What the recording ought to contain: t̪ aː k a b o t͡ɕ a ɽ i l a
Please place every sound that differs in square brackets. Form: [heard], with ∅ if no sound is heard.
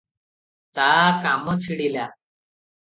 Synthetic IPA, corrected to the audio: t̪ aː k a [m] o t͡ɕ [i] ɽ i l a